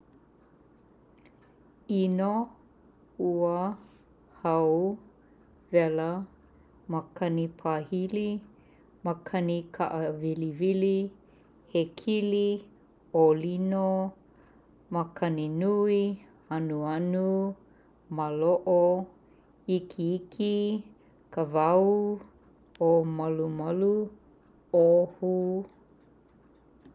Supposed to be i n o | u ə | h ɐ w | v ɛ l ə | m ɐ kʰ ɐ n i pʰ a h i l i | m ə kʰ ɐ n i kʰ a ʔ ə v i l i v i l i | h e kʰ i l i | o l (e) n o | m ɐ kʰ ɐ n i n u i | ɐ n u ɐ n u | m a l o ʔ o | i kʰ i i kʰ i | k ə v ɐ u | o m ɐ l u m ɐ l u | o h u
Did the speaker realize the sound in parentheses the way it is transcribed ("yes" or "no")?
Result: no